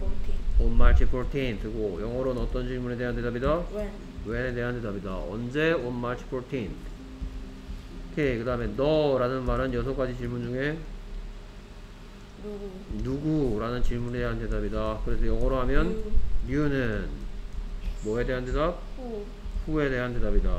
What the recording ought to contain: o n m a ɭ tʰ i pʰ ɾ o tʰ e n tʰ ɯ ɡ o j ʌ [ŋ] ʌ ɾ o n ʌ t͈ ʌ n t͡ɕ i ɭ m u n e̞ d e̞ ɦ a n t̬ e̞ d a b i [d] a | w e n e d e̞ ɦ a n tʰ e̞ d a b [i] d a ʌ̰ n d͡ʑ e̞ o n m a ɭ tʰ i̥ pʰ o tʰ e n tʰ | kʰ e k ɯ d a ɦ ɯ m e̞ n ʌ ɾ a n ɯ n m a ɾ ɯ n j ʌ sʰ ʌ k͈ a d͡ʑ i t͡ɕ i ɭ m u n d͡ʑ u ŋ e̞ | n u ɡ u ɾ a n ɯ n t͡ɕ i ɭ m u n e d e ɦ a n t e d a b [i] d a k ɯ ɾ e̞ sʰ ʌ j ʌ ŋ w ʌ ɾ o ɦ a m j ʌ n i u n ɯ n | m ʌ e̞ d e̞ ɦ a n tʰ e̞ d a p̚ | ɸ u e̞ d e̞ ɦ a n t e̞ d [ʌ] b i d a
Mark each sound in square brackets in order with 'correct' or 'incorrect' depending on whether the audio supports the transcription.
correct, correct, correct, correct, incorrect

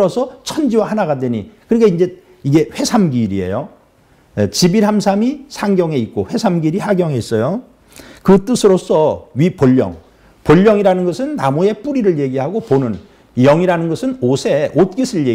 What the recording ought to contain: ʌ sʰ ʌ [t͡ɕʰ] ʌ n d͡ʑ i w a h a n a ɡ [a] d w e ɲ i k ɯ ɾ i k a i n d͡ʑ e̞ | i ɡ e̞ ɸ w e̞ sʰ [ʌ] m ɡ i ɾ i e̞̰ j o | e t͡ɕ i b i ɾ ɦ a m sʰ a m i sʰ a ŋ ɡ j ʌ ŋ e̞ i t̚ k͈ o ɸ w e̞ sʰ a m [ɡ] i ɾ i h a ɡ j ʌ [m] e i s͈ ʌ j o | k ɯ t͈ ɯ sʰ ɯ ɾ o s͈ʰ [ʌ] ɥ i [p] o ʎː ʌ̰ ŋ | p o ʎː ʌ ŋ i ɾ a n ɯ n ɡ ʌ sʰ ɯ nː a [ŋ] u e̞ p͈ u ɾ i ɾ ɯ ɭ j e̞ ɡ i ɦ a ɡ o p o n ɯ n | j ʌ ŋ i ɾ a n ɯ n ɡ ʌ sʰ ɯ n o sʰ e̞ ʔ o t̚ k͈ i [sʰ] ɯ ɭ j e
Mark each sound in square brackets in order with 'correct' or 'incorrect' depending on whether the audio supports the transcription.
correct, correct, incorrect, correct, incorrect, correct, correct, incorrect, correct

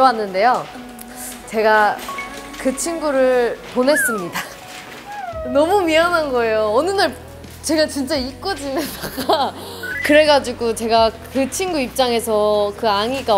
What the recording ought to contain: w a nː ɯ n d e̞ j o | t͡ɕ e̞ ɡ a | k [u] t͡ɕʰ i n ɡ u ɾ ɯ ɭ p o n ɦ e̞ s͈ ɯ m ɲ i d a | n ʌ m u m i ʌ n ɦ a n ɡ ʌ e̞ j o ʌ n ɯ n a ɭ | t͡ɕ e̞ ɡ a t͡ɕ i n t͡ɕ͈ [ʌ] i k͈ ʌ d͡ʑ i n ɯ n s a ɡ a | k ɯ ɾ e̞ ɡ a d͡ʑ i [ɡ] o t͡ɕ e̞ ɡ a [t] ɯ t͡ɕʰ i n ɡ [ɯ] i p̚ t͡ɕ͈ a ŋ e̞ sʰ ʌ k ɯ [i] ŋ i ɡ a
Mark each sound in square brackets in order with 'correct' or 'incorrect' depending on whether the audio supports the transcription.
incorrect, incorrect, correct, incorrect, incorrect, incorrect

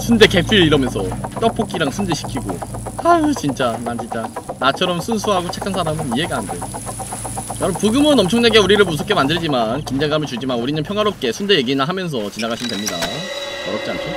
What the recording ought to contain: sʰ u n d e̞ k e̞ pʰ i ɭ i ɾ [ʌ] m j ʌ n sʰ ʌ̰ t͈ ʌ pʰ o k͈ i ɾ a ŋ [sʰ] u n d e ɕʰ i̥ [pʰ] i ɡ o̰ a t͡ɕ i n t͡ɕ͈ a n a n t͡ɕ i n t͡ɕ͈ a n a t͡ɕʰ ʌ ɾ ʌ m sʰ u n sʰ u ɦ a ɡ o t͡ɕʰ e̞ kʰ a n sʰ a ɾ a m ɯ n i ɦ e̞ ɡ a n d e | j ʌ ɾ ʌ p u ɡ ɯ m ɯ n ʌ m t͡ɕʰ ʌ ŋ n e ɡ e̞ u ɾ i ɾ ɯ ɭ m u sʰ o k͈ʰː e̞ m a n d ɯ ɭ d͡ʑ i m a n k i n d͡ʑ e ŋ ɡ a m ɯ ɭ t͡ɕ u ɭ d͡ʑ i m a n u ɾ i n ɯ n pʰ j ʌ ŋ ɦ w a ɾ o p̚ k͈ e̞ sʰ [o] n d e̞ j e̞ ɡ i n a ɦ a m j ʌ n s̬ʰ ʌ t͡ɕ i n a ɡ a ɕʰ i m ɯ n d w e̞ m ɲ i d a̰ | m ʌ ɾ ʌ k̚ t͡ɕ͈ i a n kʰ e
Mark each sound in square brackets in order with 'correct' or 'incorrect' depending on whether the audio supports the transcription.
correct, correct, incorrect, incorrect

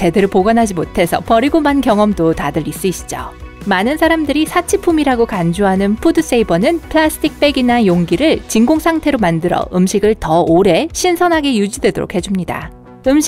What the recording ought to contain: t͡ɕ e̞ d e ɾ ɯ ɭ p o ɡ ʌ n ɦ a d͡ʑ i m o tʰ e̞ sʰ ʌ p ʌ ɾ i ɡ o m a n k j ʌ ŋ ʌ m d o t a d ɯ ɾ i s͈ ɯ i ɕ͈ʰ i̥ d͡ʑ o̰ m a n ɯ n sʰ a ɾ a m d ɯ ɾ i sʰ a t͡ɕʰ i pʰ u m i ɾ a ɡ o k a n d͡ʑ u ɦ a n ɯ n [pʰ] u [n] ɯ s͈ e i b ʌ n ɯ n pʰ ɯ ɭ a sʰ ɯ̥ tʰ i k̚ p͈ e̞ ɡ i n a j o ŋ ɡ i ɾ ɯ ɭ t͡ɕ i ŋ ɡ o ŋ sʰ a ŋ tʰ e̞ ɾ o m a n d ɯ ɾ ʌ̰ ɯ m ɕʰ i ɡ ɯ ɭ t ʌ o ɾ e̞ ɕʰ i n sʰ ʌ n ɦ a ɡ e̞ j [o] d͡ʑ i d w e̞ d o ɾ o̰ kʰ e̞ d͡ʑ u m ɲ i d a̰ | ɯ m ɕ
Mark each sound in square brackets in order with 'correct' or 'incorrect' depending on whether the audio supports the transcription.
correct, incorrect, incorrect

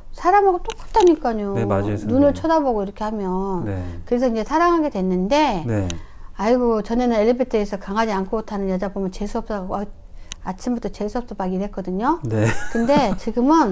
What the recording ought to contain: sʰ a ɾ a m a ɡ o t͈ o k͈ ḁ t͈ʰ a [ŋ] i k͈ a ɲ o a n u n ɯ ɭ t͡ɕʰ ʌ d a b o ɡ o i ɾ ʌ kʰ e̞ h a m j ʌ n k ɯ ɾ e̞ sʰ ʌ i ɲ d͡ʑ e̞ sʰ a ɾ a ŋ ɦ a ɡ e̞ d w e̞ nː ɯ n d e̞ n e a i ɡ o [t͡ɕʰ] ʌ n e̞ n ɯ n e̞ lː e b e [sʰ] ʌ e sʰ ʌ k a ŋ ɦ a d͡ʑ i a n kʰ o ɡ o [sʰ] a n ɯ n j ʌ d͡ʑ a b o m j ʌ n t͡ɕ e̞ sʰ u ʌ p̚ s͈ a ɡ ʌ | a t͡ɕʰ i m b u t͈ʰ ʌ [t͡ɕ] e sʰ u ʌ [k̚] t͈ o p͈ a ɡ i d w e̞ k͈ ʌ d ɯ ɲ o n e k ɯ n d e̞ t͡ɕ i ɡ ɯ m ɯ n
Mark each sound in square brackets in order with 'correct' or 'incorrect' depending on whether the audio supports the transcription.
incorrect, incorrect, incorrect, incorrect, correct, incorrect

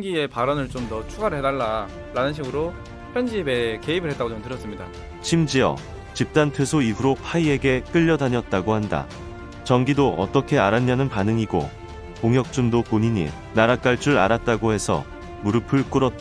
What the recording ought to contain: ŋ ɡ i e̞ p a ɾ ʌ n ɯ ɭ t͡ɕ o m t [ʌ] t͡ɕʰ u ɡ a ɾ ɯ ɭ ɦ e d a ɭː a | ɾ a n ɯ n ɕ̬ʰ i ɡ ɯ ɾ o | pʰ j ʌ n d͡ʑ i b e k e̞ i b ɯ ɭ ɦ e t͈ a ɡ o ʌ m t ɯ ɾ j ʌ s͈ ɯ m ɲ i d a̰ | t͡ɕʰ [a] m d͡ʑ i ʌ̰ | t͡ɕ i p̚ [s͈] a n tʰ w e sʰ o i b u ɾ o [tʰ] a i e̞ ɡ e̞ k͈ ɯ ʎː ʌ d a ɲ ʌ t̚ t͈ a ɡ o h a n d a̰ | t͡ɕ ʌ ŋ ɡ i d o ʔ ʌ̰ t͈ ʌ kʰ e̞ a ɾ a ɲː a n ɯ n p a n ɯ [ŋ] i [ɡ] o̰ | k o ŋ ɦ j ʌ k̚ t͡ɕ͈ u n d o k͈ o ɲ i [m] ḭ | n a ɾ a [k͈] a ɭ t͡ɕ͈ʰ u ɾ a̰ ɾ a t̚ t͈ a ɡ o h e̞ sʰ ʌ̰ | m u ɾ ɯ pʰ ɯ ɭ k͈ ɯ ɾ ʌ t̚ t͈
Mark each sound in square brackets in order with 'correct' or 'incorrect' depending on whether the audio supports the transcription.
correct, incorrect, incorrect, incorrect, correct, correct, incorrect, correct

